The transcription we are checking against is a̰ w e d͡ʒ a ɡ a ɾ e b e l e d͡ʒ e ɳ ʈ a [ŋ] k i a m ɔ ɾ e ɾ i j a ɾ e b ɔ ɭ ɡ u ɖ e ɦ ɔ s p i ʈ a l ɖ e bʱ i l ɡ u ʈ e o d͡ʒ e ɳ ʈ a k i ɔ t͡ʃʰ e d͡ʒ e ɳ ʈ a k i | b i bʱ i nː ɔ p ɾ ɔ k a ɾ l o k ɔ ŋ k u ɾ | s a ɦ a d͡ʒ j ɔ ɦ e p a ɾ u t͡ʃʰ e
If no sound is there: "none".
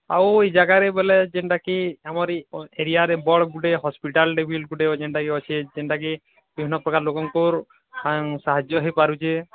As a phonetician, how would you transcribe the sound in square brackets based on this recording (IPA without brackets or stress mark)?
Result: none